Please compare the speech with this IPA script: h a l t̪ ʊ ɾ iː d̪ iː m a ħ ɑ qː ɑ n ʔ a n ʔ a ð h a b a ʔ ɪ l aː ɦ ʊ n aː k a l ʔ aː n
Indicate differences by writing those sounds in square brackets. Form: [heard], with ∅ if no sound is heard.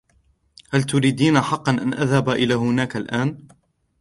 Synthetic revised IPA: h a l t̪ ʊ ɾ iː d̪ iː [n] a ħ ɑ qː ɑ n ʔ a n ʔ a ð h a b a ʔ ɪ l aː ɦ ʊ n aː k a l ʔ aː n